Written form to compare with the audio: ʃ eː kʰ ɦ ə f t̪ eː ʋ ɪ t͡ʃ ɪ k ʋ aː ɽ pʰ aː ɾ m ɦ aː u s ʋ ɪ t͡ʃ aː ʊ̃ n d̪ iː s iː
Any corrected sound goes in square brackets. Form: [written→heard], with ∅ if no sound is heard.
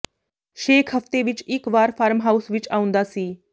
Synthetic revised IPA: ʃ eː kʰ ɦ ə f t̪ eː ʋ ɪ t͡ʃ ɪ k ʋ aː [ɽ→ɾ] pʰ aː ɾ m ɦ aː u s ʋ ɪ t͡ʃ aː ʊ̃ n d̪ [iː→aː] s iː